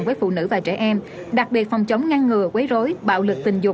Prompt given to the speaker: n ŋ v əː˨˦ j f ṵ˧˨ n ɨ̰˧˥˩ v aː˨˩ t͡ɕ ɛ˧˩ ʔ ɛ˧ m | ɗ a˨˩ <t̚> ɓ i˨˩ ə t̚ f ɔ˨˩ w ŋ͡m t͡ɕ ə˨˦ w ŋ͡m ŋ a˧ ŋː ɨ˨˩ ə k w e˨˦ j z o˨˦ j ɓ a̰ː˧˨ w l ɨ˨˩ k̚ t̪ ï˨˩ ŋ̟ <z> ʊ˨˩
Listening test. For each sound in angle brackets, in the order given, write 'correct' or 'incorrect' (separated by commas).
incorrect, correct